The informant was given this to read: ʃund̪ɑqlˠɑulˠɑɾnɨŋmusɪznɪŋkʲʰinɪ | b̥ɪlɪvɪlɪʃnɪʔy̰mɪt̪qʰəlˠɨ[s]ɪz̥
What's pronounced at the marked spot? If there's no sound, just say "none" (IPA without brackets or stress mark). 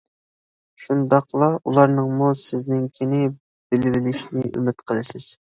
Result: s